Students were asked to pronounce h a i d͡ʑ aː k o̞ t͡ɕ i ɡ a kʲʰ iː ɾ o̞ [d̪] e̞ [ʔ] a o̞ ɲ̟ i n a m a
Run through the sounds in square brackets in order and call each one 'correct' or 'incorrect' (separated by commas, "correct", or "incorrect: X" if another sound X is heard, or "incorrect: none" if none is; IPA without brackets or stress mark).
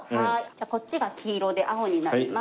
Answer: correct, correct